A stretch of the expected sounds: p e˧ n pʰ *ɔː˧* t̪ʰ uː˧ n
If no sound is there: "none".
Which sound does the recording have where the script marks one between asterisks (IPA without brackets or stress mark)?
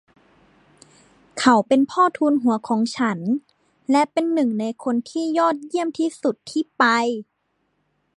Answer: ɔː˥˩